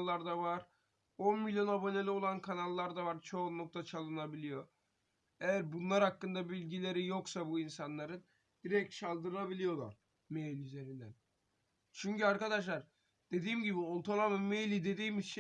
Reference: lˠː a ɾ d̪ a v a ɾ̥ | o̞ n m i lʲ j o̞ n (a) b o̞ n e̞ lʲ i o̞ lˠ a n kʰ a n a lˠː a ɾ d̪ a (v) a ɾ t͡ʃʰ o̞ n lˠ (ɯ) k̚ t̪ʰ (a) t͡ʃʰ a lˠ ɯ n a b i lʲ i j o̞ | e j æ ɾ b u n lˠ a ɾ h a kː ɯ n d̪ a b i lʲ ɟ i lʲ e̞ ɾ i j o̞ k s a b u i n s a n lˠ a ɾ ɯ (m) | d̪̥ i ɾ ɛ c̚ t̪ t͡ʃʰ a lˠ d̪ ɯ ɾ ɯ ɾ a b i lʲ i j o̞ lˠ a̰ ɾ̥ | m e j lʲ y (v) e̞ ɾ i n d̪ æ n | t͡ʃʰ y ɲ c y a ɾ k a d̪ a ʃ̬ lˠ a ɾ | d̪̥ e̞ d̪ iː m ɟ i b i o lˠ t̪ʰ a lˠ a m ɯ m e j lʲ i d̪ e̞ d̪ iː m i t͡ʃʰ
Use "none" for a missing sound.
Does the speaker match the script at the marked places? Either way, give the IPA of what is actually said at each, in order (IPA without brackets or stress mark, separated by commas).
a, v, u, a, n, z